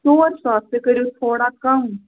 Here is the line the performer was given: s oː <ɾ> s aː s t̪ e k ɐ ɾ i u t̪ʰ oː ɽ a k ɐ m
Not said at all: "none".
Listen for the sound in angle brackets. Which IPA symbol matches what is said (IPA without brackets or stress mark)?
ɾ